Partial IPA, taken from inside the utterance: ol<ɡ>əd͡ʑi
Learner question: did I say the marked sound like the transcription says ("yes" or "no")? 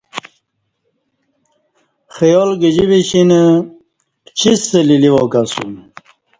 yes